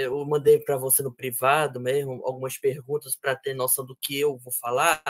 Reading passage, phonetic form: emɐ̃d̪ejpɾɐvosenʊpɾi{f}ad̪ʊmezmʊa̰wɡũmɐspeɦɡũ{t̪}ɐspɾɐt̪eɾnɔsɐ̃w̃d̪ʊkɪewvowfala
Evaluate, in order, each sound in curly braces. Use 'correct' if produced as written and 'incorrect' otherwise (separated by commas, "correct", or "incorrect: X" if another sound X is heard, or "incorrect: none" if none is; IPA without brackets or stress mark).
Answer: incorrect: v, correct